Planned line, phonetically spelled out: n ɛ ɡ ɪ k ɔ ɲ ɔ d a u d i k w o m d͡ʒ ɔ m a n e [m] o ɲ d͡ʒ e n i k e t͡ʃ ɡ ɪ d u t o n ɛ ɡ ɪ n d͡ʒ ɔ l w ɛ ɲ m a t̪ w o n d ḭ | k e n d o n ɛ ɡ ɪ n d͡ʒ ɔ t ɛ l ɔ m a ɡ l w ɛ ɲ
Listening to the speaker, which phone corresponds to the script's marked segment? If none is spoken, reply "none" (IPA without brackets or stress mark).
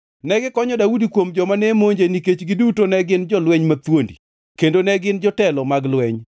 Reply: m